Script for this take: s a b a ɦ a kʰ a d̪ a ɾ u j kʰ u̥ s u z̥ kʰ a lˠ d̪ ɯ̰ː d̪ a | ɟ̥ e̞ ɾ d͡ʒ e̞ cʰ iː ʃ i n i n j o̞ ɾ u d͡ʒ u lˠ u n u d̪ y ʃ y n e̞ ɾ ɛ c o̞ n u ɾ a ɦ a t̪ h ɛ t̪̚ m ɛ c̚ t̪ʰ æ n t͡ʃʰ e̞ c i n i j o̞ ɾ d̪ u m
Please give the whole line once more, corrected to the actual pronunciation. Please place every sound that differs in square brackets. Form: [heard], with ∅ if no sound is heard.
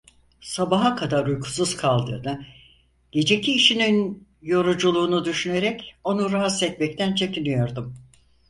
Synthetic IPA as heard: s a b a ɦ a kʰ a d̪ a ɾ u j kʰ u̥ s u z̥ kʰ a lˠ d̪ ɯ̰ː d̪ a | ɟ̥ e̞ [∅] d͡ʒ e̞ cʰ iː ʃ i n i n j o̞ ɾ u d͡ʒ u lˠ [uː] n u d̪ y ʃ y n e̞ ɾ ɛ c o̞ n u ɾ a ɦ a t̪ [s] ɛ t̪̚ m ɛ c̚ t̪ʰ æ n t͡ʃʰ e̞ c i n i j o̞ ɾ d̪ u m